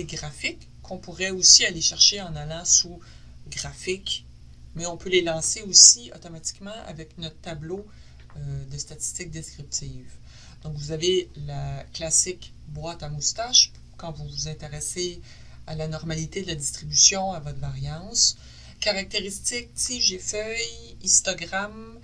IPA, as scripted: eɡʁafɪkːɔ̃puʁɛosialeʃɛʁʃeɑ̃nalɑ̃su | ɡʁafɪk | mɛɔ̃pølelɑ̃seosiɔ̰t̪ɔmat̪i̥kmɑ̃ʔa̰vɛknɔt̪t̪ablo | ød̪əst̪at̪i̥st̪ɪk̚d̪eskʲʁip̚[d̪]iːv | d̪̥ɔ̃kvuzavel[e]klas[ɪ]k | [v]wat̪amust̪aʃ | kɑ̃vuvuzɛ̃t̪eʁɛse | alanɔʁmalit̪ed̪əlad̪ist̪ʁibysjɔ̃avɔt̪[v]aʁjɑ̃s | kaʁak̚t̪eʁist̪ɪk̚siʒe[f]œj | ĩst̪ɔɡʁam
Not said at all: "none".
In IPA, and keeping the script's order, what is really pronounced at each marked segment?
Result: t̪, a, ɪ, b, v, f

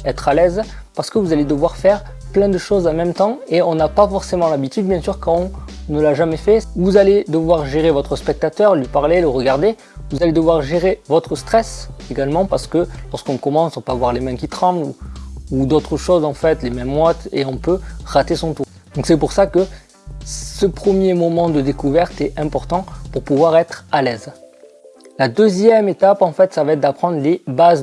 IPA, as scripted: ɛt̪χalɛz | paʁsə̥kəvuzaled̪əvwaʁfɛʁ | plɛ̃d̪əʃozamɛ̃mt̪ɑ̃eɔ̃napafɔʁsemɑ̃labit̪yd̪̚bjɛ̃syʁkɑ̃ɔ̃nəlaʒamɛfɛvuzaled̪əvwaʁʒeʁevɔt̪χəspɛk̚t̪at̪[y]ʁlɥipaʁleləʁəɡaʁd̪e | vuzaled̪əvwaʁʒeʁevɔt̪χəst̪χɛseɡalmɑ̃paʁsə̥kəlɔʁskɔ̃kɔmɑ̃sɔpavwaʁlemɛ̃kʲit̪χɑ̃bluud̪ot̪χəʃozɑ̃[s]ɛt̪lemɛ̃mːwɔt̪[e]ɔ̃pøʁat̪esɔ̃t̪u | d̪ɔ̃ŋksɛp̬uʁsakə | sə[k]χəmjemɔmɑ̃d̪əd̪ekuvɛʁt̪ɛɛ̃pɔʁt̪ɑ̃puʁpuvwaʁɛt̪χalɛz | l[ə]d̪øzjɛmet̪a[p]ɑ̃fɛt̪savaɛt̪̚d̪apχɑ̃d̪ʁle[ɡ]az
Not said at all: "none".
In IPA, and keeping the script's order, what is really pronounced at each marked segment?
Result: œ, f, e, p, a, p, b

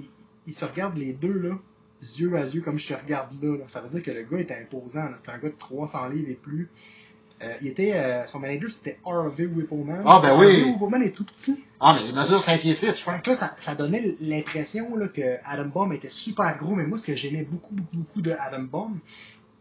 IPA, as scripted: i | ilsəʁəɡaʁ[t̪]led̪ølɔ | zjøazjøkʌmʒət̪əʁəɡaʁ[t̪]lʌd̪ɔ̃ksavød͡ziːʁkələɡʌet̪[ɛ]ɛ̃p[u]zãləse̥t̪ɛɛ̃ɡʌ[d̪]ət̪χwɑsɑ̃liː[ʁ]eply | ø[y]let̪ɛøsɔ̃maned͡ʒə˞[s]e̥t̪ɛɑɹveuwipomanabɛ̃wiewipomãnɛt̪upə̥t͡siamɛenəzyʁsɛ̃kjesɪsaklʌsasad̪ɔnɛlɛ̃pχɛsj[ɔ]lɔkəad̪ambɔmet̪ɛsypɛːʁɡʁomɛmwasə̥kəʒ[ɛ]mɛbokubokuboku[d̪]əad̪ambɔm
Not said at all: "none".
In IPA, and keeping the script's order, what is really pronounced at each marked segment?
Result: d̪, d̪, ɛ, o, d̪, v, i, s, ɔ̃, ɛ, d̪

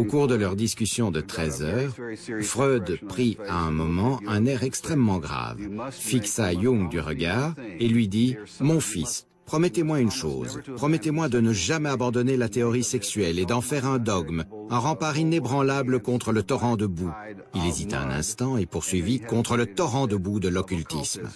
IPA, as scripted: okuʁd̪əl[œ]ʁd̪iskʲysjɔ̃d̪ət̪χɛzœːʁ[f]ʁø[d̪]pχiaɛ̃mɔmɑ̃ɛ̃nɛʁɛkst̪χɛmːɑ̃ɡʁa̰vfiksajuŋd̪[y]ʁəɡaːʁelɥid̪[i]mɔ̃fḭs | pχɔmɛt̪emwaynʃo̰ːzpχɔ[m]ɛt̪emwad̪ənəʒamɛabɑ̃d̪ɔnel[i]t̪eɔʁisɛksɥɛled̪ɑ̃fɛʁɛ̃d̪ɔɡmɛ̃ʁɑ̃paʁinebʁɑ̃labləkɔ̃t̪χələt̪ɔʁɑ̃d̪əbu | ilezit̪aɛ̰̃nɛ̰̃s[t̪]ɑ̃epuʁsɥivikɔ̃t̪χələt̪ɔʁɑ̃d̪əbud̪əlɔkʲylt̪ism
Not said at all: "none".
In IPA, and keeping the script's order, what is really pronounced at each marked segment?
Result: œ, f, d̪, y, i, m, a, t̪

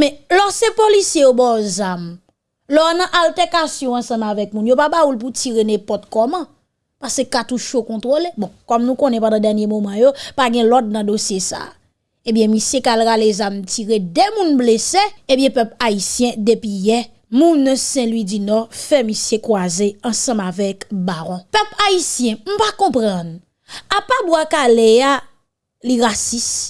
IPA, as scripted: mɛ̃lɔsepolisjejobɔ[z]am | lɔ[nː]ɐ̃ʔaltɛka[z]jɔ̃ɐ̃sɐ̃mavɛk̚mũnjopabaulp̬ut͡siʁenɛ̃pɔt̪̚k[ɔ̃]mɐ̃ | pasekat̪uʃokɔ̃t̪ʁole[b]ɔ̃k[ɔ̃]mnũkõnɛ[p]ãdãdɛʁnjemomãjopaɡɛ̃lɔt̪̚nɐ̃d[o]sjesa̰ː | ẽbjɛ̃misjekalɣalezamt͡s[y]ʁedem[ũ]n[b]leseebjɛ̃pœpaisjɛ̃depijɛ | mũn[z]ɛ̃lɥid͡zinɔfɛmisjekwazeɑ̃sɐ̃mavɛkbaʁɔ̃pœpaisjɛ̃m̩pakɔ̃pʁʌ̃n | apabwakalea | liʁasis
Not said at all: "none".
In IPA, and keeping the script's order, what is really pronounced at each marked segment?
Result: z, n, s, ɔ, b, ɔ, p, o, i, ũ, b, s

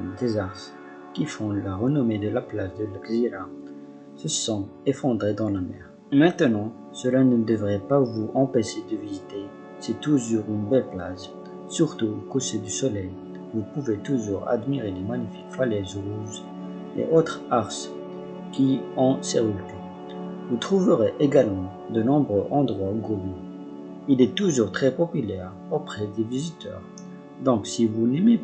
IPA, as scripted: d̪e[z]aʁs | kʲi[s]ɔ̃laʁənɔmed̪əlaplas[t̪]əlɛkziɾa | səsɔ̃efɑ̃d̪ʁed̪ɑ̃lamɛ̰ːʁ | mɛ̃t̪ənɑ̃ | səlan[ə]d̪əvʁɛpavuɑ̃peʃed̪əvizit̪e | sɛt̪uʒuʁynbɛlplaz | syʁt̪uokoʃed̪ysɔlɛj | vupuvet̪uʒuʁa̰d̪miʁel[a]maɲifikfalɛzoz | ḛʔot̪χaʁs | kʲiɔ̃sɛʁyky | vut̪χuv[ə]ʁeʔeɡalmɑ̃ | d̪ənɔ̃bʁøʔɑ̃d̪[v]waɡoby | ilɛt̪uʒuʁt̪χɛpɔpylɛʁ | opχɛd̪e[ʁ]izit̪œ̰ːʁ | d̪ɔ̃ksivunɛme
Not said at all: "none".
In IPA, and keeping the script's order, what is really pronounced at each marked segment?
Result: z, f, d̪, ə, e, ə, ʁ, v

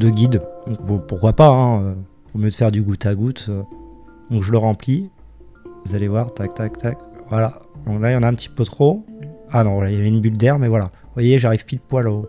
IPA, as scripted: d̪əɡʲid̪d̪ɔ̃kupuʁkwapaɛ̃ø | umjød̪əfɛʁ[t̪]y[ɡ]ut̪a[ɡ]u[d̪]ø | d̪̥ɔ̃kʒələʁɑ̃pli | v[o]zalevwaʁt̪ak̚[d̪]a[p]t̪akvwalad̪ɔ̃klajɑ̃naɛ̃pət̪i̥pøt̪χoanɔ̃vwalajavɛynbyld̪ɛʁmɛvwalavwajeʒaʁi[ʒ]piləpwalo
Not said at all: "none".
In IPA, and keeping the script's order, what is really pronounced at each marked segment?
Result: d̪, ɡ, ɡ, t̪, u, t̪, k, v

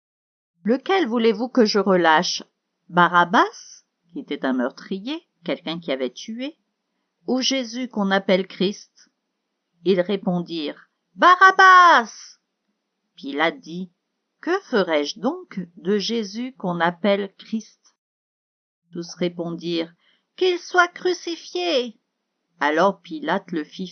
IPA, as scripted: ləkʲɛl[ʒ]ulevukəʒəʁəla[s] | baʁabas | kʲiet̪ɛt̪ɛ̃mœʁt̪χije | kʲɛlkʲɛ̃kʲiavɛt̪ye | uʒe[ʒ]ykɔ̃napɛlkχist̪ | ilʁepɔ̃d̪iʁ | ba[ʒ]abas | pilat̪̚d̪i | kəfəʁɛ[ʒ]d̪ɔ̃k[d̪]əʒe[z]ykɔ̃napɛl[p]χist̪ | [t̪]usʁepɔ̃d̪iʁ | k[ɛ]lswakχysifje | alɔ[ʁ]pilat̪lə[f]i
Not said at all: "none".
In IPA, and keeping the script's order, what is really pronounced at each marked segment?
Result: v, ʃ, z, ʁ, ʒ, d̪, z, k, t̪, i, ʁ, f

